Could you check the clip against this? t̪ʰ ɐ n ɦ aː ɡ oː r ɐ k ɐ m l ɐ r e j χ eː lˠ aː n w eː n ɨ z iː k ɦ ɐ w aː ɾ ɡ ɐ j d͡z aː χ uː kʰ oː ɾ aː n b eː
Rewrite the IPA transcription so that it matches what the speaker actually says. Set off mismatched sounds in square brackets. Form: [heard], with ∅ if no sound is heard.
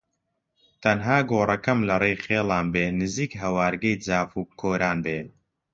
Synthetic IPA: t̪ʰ ɐ n ɦ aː ɡ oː r ɐ k ɐ m l ɐ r e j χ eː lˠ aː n [b] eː n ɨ z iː k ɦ ɐ w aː ɾ ɡ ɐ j d͡z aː [f] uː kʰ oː ɾ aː n b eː